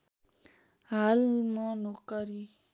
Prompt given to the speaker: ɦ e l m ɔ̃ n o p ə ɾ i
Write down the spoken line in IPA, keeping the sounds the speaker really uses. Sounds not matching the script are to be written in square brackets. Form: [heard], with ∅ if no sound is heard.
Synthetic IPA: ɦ [a] l m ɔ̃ n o [k] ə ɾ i